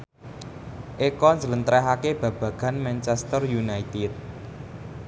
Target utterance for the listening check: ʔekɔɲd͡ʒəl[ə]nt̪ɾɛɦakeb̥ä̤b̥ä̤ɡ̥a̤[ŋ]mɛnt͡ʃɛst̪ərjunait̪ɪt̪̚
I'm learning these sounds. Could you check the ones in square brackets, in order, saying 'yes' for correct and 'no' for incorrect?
yes, no

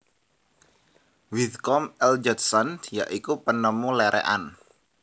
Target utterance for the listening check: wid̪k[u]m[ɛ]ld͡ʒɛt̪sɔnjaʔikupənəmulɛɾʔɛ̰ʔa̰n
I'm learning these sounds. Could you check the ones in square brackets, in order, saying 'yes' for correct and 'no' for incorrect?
no, yes

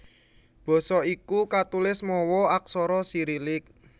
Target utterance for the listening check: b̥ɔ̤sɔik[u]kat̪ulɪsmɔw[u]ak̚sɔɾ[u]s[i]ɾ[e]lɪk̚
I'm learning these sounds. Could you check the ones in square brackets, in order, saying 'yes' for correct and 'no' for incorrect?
yes, no, no, yes, no

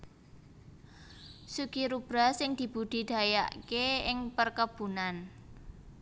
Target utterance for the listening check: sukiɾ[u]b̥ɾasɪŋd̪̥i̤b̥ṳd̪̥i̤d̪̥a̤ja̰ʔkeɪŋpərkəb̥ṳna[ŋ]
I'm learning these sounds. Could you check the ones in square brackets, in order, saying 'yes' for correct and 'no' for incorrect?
yes, no

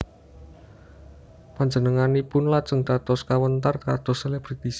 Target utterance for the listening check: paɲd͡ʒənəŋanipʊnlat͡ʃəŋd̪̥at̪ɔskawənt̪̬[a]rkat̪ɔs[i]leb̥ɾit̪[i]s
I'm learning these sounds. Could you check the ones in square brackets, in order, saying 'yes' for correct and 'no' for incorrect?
yes, no, yes

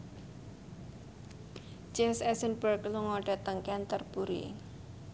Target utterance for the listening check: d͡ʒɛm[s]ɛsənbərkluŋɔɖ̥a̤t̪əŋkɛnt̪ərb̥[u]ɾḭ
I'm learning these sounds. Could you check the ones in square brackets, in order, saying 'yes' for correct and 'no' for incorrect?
yes, yes

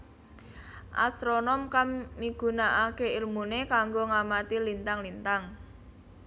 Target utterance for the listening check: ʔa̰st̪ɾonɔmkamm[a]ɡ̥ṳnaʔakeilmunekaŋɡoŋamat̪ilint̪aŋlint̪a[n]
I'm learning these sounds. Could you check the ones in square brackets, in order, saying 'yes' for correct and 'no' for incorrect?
no, no

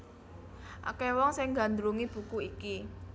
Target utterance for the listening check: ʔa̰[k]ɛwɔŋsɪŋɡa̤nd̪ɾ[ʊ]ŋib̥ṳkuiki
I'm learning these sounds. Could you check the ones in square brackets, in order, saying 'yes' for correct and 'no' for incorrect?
yes, no

